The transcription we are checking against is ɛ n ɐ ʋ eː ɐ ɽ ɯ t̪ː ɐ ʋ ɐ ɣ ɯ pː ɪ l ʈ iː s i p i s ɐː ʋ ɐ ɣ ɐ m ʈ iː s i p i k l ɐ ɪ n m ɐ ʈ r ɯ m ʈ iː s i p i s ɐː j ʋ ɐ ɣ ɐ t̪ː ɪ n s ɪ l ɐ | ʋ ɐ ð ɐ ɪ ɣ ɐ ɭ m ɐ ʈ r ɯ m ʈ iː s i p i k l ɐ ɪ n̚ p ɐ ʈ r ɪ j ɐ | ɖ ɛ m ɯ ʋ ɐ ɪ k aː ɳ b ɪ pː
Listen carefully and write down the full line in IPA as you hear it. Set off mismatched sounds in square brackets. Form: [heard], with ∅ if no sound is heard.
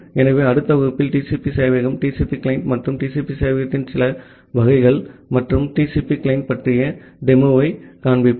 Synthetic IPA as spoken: ɛ n ɐ ʋ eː ɐ ɽ ɯ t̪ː ɐ ʋ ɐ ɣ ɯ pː ɪ l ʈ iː s i p i s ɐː ʋ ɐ ɣ ɐ m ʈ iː s i p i k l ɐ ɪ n m ɐ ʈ r ɯ m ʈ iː s i p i s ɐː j ʋ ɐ ɣ ɐ t̪ː ɪ n s ɪ l ɐ | ʋ ɐ [ɣ] ɐ ɪ ɣ ɐ ɭ m ɐ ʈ r ɯ m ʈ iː s i p i k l ɐ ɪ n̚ p ɐ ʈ r ɪ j ɐ | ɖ ɛ m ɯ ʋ ɐ ɪ k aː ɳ b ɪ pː